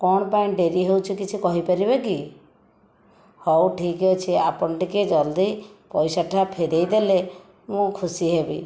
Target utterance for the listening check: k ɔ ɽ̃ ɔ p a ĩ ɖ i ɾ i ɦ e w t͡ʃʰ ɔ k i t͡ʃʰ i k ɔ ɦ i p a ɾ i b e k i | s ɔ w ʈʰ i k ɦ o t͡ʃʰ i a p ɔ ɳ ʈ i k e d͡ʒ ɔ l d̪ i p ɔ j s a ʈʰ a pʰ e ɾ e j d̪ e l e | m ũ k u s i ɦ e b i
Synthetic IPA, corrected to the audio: k ɔ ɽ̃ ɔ p a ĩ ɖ e ɾ i ɦ e w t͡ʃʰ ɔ k i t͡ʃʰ i k ɔ ɦ i p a ɾ i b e k i | h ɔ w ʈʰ i k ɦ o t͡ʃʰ i a p ɔ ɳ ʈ i k e d͡ʒ ɔ l d̪ i p ɔ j s a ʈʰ a pʰ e ɾ e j d̪ e l e | m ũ kʰ u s i ɦ e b i